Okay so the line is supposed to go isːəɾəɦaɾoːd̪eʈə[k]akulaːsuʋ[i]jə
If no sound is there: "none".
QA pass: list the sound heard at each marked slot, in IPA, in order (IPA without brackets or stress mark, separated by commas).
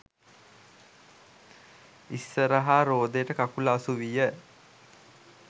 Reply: k, i